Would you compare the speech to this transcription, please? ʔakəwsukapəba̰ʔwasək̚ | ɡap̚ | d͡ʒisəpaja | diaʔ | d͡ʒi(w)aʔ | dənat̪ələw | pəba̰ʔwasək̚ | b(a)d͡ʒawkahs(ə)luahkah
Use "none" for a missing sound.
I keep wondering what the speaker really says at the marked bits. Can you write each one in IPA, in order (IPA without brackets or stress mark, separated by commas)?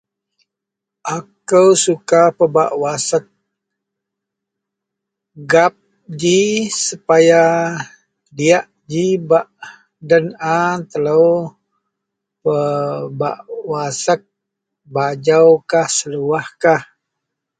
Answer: b, a, ə